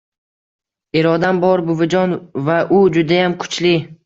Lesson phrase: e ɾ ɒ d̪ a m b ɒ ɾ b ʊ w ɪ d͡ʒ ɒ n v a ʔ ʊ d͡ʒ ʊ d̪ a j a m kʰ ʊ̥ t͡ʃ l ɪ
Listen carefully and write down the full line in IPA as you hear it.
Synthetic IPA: e ɾ ɒ d̪ a m b ɒ ɾ b ʊ v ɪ d͡ʒ ɒ n v a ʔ ʊ d͡ʒ ʊ d̪ a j a m kʰ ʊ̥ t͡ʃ l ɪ